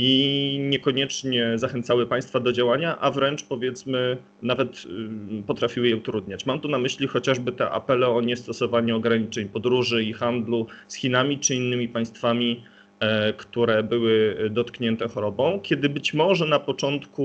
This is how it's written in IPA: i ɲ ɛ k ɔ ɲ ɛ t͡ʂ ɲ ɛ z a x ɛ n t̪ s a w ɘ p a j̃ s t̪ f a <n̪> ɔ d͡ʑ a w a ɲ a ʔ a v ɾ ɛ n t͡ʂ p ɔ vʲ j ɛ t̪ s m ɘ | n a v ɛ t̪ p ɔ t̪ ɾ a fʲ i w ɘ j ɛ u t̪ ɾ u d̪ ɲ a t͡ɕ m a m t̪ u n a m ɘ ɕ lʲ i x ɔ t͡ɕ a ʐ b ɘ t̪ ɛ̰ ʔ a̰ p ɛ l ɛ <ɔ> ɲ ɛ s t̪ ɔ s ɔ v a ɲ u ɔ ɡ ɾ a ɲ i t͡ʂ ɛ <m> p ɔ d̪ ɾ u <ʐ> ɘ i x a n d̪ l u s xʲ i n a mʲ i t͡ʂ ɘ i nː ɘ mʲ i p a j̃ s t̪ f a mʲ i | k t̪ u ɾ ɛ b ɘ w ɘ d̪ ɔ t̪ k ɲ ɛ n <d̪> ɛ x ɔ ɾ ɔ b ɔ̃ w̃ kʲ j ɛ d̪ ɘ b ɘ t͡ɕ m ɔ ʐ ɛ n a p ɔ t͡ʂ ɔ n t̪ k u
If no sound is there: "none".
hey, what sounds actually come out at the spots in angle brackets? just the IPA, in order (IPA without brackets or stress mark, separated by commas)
d̪, ɔ, ɲ, ʐ, t̪